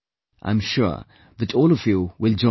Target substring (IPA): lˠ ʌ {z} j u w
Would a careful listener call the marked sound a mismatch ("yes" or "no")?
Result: yes